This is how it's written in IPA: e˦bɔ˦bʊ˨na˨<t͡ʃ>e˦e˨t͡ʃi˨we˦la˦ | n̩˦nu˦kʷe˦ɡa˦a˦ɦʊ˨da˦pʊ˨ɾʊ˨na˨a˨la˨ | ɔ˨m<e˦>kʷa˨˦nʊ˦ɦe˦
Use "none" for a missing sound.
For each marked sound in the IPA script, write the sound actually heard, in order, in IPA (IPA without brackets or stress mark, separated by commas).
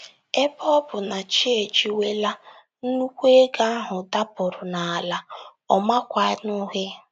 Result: t͡ʃ, a˦